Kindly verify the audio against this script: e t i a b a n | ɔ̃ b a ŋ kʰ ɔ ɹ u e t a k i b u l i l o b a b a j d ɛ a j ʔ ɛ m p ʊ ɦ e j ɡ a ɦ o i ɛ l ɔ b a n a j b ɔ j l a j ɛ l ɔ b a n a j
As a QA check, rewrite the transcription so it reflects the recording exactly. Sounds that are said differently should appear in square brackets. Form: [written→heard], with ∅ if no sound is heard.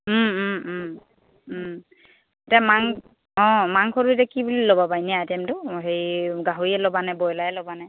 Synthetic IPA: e t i a [b→m] a [n→ŋ] | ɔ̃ [b→m] a ŋ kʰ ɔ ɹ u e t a k i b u l i l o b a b a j [d→n] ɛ a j [ʔ→t] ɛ m [p→t] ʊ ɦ e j ɡ a ɦ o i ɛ l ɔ b a n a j b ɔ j l a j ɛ l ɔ b a n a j